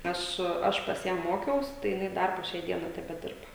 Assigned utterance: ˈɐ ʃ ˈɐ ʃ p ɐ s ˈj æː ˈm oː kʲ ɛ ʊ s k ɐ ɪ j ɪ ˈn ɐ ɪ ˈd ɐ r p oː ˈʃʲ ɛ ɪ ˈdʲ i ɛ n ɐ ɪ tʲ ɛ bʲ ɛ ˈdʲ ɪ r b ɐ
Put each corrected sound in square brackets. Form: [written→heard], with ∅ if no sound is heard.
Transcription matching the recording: ˈɐ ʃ ˈɐ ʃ p ɐ s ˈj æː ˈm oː kʲ ɛ ʊ s [k→t] ɐ ɪ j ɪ ˈn ɐ ɪ ˈd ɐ r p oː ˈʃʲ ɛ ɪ ˈdʲ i ɛ n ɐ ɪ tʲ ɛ bʲ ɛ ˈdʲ ɪ r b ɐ